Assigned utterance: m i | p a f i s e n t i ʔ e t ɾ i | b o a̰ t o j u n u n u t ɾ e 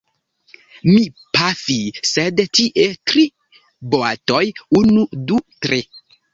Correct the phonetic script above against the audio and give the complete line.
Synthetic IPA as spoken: m i | p a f i s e d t i ʔ e t ɾ i | b o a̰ t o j u n u d u t ɾ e